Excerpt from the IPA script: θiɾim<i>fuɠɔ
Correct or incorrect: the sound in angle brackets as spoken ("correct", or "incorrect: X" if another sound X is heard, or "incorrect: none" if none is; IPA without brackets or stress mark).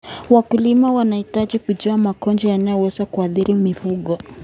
correct